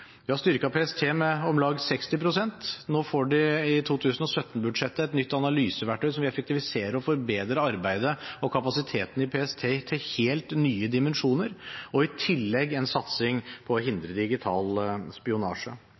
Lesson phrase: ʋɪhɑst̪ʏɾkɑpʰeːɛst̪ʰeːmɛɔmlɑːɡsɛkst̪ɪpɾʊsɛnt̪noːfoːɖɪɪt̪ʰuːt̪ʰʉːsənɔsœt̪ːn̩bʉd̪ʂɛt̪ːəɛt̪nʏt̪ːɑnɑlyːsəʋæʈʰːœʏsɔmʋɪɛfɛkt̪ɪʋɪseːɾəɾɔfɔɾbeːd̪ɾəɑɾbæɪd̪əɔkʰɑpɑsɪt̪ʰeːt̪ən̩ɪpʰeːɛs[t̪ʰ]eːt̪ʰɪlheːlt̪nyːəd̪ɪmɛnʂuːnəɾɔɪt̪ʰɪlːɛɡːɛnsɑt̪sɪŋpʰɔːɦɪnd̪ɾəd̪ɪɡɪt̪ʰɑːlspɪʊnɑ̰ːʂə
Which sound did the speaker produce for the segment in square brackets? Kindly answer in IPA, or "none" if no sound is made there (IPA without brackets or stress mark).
t̪ʰ